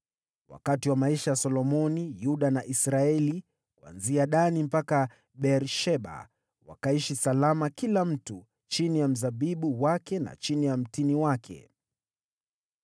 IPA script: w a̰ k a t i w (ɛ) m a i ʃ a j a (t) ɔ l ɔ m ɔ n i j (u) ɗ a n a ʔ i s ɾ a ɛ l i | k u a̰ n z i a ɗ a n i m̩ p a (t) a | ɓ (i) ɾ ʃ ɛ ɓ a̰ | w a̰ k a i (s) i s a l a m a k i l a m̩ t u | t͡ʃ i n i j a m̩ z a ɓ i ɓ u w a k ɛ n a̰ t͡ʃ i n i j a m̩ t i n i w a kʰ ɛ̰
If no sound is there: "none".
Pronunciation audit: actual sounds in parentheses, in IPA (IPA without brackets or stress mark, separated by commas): a, s, u, k, ɛ, ʃ